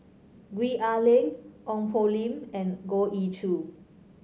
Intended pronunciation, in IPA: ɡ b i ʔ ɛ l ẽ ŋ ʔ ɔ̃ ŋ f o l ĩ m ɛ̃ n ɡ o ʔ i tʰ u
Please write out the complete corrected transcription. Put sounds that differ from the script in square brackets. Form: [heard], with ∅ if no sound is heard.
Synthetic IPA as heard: ɡ [w] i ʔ [a] l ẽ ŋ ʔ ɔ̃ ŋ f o l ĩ m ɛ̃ n ɡ o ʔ i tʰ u